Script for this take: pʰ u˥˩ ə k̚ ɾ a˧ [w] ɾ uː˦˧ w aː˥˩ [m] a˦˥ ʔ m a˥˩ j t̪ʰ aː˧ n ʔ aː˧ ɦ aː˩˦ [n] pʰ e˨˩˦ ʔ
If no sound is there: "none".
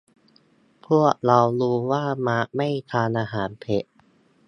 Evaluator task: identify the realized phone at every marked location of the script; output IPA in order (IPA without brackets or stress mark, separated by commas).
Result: w, m, n